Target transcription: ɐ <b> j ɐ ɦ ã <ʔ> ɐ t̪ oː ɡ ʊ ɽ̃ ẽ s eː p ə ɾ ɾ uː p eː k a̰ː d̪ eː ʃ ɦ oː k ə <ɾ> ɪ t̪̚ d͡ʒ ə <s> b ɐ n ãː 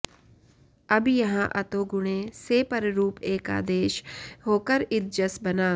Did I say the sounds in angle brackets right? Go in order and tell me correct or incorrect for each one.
correct, correct, correct, correct

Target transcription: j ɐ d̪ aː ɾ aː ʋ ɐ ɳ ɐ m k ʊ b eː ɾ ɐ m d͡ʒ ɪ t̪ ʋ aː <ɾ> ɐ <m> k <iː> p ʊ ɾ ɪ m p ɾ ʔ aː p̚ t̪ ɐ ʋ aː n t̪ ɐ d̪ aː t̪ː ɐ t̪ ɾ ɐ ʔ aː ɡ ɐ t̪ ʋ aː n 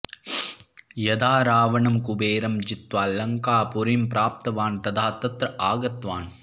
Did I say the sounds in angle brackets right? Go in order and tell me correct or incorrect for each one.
incorrect: l, incorrect: ŋ, incorrect: aː

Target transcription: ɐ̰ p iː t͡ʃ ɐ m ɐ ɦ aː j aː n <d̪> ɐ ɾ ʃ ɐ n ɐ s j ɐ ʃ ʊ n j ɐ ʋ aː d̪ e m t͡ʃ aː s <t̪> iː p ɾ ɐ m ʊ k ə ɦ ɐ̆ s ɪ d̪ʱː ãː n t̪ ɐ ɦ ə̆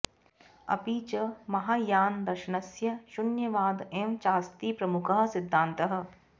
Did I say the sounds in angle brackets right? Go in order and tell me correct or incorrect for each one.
correct, correct

